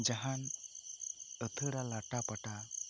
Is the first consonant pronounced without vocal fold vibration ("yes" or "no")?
no